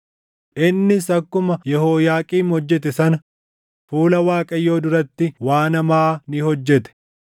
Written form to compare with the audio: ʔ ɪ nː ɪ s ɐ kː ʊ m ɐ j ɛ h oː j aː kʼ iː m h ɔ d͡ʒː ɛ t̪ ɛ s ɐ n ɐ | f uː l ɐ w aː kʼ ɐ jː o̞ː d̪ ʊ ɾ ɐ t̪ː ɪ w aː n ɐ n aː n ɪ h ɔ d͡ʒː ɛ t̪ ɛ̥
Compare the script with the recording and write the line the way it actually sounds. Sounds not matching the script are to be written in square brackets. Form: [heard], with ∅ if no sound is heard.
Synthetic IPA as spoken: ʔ ɪ nː ɪ s ɐ kː ʊ m ɐ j ɛ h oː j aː kʼ iː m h ɔ d͡ʒː ɛ t̪ ɛ s ɐ n ɐ | f uː l ɐ w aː kʼ ɐ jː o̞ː d̪ ʊ ɾ ɐ t̪ː ɪ w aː n ɐ [m] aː n ɪ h ɔ d͡ʒː ɛ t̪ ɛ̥